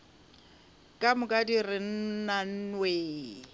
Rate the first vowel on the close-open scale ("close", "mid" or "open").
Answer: open